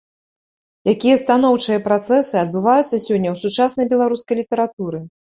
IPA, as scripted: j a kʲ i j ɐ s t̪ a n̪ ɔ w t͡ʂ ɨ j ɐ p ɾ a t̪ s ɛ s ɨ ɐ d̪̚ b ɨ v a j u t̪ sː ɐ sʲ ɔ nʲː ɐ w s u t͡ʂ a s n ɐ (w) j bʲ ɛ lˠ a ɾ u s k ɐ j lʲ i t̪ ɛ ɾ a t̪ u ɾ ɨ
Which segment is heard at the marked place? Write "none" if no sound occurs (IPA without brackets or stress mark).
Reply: none